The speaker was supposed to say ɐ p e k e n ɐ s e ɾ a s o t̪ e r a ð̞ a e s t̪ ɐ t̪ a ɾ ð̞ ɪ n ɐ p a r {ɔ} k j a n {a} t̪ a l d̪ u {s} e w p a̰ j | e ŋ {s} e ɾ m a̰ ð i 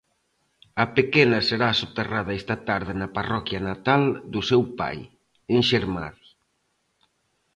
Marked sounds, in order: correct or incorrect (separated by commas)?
correct, correct, correct, incorrect